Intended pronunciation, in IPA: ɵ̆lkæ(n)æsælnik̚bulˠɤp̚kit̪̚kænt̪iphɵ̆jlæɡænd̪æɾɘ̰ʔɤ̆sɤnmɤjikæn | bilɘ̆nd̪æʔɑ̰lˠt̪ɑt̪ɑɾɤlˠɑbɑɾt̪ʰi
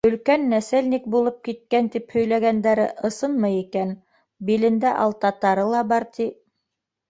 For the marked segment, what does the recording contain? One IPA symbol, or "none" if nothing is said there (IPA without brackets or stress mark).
nː